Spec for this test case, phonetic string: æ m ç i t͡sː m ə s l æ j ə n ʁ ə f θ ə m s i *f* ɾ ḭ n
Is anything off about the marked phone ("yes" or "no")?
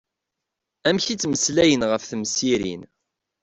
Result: yes